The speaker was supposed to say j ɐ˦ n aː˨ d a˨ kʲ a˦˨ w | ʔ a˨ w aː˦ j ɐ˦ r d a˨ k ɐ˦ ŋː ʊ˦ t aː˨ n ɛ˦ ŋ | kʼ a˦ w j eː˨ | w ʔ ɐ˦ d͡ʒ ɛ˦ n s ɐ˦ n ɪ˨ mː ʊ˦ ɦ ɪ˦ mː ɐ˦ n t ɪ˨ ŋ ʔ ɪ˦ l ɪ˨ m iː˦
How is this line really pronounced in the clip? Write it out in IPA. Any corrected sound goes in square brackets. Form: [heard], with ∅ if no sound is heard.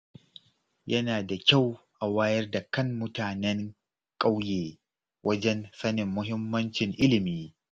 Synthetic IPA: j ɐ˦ n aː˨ d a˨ kʲ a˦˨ w | ʔ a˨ w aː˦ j ɐ˦ r d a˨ k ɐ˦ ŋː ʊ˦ t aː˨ n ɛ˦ ŋ | kʼ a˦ w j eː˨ | w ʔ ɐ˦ d͡ʒ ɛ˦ n s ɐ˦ n ɪ˨ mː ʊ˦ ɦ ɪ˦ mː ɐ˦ n [t͡ʃ] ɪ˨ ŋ ʔ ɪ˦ l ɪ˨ m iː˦